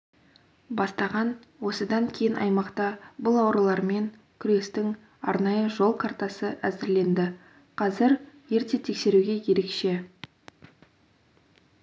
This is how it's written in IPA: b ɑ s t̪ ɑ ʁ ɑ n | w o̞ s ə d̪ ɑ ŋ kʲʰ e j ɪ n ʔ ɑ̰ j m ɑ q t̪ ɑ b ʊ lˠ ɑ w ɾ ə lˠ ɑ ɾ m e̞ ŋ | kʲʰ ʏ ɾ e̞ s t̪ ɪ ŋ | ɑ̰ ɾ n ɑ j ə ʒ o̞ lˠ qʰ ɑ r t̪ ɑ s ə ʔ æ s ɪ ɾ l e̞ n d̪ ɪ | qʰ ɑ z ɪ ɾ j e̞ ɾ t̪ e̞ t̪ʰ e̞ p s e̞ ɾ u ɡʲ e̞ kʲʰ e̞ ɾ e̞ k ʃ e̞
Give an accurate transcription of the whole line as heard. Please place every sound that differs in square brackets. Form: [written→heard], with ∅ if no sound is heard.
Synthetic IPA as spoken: b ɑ s t̪ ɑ ʁ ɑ n | w o̞ s ə d̪ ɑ ŋ kʲʰ e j ɪ n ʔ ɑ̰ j m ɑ q t̪ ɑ b ʊ lˠ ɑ w ɾ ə lˠ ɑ ɾ m e̞ ŋ | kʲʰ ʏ ɾ e̞ s t̪ ɪ ŋ | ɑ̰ ɾ n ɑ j ə ʒ o̞ lˠ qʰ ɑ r t̪ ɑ s ə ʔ æ [s→z] ɪ ɾ l e̞ n d̪ ɪ | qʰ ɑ z ɪ ɾ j e̞ ɾ t̪ e̞ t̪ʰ e̞ [p→k] s e̞ ɾ u ɡʲ e̞ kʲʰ e̞ ɾ e̞ k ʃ e̞

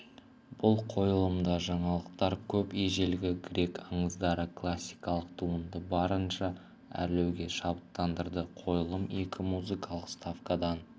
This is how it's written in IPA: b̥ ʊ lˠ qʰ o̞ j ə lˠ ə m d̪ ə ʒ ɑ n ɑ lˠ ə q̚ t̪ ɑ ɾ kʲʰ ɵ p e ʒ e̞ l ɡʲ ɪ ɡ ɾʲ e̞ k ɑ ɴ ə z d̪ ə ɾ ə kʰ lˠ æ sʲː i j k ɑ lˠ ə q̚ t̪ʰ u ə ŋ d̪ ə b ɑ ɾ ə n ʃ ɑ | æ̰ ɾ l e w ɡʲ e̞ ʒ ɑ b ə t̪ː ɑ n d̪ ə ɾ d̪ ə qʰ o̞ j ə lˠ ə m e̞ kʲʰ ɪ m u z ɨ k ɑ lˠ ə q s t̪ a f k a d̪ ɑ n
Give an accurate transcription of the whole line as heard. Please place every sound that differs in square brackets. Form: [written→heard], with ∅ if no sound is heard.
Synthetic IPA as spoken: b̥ ʊ lˠ qʰ o̞ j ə lˠ ə m d̪ [ə→ɑ] ʒ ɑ [n→ɴ] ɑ lˠ ə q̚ t̪ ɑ ɾ kʲʰ ɵ p e ʒ e̞ l ɡʲ ɪ ɡ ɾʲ e̞ k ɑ ɴ ə z d̪ [ə→ɑ] ɾ ə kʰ lˠ [æ→a] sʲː i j k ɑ lˠ ə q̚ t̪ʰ u ə [ŋ→n] d̪ ə b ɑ ɾ ə n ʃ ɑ | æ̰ ɾ l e w ɡʲ e̞ [ʒ→ʃ] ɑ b ə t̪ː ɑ n d̪ ə ɾ d̪ ə qʰ o̞ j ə lˠ ə m e̞ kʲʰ ɪ m u z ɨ k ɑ lˠ ə q s t̪ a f k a d̪ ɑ n

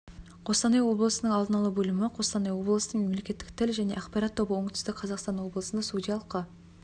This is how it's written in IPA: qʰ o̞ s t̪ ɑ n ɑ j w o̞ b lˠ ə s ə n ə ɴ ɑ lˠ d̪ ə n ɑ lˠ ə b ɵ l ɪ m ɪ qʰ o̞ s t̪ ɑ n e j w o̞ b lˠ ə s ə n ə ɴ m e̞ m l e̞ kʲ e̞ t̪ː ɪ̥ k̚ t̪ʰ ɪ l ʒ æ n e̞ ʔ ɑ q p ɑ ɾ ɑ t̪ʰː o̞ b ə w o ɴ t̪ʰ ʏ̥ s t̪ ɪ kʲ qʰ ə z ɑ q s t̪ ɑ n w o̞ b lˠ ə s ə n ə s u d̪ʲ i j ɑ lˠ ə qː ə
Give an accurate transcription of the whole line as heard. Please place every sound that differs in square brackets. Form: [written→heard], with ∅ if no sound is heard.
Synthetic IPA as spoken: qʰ o̞ s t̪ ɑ n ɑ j w o̞ b lˠ ə s ə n ə ɴ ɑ lˠ d̪ ə n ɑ lˠ ə b ɵ l ɪ m ɪ qʰ o̞ s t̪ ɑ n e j w o̞ b lˠ ə s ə n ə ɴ m e̞ m l e̞ kʲ e̞ t̪ː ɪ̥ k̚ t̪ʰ ɪ l ʒ æ n e̞ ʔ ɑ q p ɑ ɾ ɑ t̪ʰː o̞ b ə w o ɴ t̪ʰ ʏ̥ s t̪ ɪ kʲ qʰ [ə→ɑ] z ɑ q s t̪ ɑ n w o̞ b lˠ ə s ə n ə s u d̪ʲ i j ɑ lˠ ə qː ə

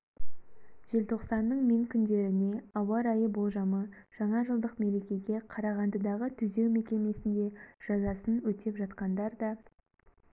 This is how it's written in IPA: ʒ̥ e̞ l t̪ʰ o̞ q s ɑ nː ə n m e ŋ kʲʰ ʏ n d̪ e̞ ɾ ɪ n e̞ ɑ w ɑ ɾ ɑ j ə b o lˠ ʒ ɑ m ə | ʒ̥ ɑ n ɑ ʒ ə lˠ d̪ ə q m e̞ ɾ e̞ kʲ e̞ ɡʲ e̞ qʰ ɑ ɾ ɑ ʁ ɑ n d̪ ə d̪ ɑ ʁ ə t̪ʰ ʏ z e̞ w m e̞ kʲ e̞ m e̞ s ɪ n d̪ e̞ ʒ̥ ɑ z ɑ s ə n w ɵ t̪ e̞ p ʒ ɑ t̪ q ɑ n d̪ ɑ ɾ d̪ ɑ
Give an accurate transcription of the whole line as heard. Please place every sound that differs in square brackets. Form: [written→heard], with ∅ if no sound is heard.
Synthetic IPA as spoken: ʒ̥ e̞ l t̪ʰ o̞ q s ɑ nː ə [n→ɴ] m e ŋ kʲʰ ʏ n d̪ e̞ ɾ ɪ n e̞ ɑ w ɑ ɾ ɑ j ə b o lˠ ʒ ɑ m ə | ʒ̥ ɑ [n→ɴ] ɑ ʒ ə lˠ d̪ ə q m e̞ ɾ e̞ kʲ e̞ ɡʲ e̞ qʰ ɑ ɾ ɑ ʁ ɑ n d̪ ə d̪ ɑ ʁ ə t̪ʰ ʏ z e̞ w m e̞ kʲ e̞ m e̞ s ɪ n d̪ e̞ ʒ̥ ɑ z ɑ s ə n w ɵ t̪ e̞ p ʒ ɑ t̪ q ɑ n d̪ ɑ ɾ d̪ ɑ

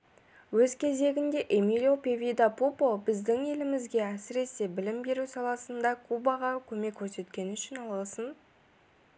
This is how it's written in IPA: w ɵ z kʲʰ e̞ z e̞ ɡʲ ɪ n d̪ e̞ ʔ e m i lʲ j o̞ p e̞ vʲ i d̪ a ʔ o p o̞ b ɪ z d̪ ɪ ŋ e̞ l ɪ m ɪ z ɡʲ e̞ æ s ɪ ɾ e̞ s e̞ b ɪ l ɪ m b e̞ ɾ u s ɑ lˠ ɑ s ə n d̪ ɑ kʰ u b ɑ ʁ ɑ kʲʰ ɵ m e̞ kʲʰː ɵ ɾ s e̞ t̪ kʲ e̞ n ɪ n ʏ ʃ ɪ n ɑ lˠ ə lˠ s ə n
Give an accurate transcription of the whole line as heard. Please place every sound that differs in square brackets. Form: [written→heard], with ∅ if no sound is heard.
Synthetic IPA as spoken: w ɵ z kʲʰ e̞ z e̞ ɡʲ ɪ n d̪ e̞ ʔ e m i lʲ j o̞ p e̞ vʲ i d̪ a [ʔ→p] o p o̞ b ɪ z d̪ ɪ ŋ e̞ l ɪ m ɪ z ɡʲ e̞ æ s ɪ ɾ e̞ s e̞ b ɪ l ɪ m b e̞ ɾ u s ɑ lˠ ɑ s ə n d̪ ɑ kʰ u b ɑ ʁ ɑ kʲʰ ɵ m e̞ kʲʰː ɵ ɾ s e̞ t̪ kʲ e̞ n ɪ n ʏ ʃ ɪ n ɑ lˠ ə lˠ s ə n

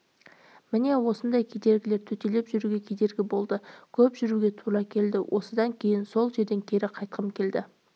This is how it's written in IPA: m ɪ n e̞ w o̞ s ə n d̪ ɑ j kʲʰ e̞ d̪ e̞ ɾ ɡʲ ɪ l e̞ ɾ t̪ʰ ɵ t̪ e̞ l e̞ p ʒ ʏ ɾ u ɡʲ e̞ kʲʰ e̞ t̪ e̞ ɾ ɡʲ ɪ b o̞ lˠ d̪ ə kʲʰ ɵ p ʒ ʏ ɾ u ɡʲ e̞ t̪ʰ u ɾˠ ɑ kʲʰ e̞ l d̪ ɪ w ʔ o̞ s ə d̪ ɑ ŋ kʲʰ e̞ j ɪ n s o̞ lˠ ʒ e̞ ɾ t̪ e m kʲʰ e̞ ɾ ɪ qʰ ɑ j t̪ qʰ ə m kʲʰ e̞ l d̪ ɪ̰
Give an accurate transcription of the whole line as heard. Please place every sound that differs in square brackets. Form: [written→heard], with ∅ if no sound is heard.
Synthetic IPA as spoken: m ɪ n e̞ w o̞ s ə n d̪ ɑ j kʲʰ e̞ d̪ e̞ ɾ ɡʲ ɪ l e̞ ɾ t̪ʰ ɵ t̪ e̞ l e̞ p ʒ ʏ ɾ u ɡʲ e̞ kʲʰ e̞ [t̪→d̪] e̞ ɾ ɡʲ ɪ b o̞ lˠ d̪ ə kʲʰ ɵ p ʒ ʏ ɾ u ɡʲ e̞ t̪ʰ u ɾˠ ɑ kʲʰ e̞ l d̪ ɪ w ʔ o̞ s ə d̪ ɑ ŋ kʲʰ e̞ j ɪ n s o̞ lˠ ʒ e̞ ɾ [t̪→d̪] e [m→ŋ] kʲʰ e̞ ɾ ɪ qʰ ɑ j t̪ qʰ ə m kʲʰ e̞ l d̪ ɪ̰

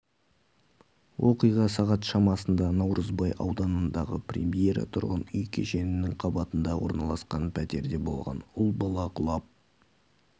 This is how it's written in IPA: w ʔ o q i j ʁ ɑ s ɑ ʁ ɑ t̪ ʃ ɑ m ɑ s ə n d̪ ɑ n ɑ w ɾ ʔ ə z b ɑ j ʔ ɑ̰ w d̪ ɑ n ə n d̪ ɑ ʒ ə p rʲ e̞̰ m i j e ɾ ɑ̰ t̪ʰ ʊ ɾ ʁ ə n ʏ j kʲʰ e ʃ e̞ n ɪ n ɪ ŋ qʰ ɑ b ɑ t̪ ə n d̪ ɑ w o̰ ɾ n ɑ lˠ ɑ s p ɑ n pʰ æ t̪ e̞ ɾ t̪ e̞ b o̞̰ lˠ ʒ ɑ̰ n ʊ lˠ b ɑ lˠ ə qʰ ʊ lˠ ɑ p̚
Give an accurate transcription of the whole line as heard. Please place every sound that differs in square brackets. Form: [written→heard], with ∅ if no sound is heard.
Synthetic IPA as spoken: w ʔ o q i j ʁ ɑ s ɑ ʁ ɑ t̪ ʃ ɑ m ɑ s ə n d̪ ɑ n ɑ w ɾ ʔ ə z b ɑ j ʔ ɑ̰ w d̪ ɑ n ə n d̪ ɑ [ʒ→ʁ] ə p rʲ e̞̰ m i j e ɾ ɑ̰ t̪ʰ ʊ ɾ ʁ ə n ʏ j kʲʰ e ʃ e̞ n ɪ n ɪ ŋ qʰ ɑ b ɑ t̪ ə n d̪ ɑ w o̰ ɾ n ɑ lˠ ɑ s [p→q] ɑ n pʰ æ t̪ e̞ ɾ [t̪→d̪] e̞ b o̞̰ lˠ [ʒ→ʁ] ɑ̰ n ʊ lˠ b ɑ lˠ [ə→ɑ] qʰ ʊ lˠ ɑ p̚

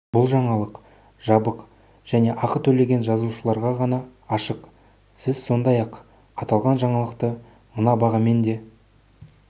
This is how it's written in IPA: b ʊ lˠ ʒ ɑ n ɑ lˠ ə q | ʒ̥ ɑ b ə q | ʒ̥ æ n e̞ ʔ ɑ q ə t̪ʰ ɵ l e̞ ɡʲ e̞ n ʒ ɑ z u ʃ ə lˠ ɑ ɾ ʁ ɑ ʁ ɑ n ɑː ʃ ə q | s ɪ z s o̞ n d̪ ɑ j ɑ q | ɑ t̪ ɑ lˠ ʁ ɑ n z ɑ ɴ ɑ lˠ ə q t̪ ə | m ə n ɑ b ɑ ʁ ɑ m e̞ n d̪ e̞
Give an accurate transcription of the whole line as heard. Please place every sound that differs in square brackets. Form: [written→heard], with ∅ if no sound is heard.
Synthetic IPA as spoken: b ʊ lˠ ʒ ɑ [n→ɴ] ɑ lˠ ə q | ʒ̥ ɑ b ə q | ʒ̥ æ n e̞ ʔ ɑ q ə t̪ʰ ɵ l e̞ ɡʲ e̞ n ʒ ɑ z u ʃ ə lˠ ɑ ɾ ʁ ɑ ʁ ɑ n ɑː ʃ ə q | s ɪ z s o̞ n d̪ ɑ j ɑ q | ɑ t̪ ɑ lˠ ʁ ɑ n [z→ʒ] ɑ ɴ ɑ lˠ ə q t̪ ə | m ə n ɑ b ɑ ʁ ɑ m e̞ n d̪ e̞

